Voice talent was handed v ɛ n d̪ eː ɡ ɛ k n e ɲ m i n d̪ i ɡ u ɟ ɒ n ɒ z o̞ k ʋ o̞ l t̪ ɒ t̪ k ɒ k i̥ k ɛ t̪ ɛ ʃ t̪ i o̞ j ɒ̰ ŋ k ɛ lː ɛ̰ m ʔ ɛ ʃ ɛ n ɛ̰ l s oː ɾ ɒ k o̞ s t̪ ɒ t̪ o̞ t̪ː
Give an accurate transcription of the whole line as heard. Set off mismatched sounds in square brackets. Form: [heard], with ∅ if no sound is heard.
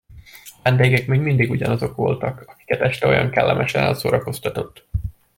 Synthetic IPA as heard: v ɛ n d̪ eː ɡ ɛ k [m] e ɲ m i n d̪ i ɡ u ɟ ɒ n ɒ z o̞ k ʋ o̞ l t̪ ɒ [∅] k ɒ k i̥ k ɛ t̪ ɛ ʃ t̪ [ɛ] o̞ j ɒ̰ ŋ k ɛ lː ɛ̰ m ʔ ɛ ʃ ɛ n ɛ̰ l s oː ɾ ɒ k o̞ s t̪ ɒ t̪ o̞ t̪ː